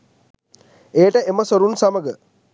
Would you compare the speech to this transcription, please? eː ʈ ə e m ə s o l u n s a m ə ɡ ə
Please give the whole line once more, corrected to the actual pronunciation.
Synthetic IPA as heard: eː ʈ ə e m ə s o ɾ u n s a m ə ɡ ə